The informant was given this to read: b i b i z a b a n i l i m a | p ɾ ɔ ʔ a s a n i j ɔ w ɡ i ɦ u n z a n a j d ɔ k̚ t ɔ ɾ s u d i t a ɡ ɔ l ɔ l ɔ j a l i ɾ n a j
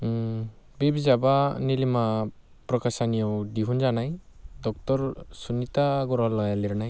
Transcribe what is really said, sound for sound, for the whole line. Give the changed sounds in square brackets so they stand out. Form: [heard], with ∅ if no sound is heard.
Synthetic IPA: b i b i z a b a n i l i m a | p ɾ ɔ [k] a s a n i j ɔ w [d] i ɦ u n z a n a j d ɔ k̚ t ɔ ɾ s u [n] i t a ɡ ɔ [ɾ] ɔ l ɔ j a l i ɾ n a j